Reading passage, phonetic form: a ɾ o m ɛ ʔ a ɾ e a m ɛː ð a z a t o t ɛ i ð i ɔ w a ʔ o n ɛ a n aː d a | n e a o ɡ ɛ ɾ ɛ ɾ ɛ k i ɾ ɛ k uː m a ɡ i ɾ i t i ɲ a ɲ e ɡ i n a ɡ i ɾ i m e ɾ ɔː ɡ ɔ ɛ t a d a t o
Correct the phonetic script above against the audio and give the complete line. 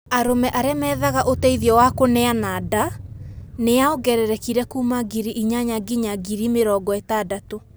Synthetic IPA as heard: a ɾ o m ɛ ʔ a ɾ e a m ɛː ð a ɣ a ʔ o t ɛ i ð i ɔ w a k o n ɛ a n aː d a | n e a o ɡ ɛ ɾ ɛ ɾ ɛ k i ɾ ɛ k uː m a ɡ i ɾ i ʔ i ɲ a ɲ a ɡ i ɲ a ɡ i ɾ i m e ɾ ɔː ɡ ɔ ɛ t a d a t o